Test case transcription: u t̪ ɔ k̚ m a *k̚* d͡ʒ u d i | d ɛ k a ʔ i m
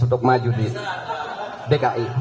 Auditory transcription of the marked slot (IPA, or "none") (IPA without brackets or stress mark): none